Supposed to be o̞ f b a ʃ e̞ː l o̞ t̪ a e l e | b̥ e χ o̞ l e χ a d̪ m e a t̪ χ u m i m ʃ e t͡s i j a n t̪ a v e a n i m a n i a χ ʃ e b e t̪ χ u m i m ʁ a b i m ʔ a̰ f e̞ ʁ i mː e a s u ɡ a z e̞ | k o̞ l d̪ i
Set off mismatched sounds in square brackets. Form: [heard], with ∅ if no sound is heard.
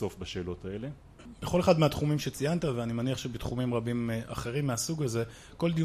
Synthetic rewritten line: o̞ f b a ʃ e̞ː l o̞ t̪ a e l e | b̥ e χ o̞ l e χ a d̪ m e a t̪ χ u m i m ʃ e t͡s i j a n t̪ a v e a n i m a n i a χ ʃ e b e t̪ χ u m i m ʁ a b i m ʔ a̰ [χ] e̞ ʁ i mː e a s u ɡ a z e̞ | k o̞ l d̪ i